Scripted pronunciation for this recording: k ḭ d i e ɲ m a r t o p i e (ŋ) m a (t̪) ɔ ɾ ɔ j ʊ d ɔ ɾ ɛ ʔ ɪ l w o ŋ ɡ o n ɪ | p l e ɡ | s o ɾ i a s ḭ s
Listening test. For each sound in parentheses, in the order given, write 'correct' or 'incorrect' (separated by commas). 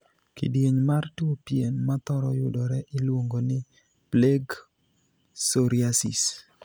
incorrect, correct